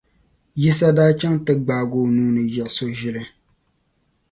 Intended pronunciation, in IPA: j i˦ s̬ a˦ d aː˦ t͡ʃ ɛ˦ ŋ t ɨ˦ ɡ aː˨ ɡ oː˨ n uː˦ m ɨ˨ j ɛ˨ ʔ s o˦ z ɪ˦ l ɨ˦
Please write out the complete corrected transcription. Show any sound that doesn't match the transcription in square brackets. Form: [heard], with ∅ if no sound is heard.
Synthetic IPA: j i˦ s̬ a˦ d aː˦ t͡ʃ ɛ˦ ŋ t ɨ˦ [ɡ͡b] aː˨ ɡ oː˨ n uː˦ [n] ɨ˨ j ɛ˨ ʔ s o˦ [ʒ] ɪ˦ l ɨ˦